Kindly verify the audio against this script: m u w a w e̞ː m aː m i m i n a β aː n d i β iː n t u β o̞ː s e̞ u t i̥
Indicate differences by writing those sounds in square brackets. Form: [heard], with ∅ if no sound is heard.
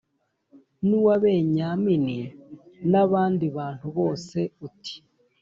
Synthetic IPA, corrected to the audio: [n] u w a [β] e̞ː [ɲ] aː m i [n] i n a β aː n d i β [aː] n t u β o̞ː s e̞ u t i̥